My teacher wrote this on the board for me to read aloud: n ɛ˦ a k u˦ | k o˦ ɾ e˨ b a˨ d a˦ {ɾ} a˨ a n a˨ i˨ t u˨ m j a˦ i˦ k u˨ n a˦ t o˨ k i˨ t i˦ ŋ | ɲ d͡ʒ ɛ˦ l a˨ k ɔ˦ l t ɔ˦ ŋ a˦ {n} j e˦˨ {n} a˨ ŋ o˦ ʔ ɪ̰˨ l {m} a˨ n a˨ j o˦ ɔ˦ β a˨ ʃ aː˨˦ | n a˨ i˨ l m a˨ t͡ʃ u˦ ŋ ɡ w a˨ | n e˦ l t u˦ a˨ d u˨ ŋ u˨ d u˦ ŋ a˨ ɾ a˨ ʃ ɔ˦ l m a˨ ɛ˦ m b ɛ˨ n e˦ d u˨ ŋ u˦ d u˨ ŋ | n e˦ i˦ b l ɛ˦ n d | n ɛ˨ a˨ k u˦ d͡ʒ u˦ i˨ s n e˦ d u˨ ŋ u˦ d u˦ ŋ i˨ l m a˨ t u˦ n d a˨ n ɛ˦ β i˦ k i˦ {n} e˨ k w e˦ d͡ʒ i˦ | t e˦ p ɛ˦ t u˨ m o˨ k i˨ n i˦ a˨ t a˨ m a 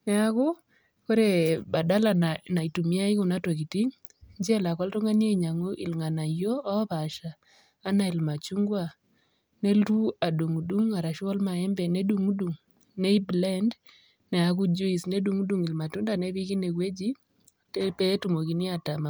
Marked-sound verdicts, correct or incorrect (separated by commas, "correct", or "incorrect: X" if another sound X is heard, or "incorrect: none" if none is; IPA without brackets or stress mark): incorrect: l, correct, incorrect: ɲ, incorrect: ŋ, correct